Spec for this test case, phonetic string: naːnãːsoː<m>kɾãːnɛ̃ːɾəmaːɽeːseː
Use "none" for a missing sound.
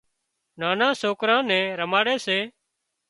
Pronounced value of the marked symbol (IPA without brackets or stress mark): none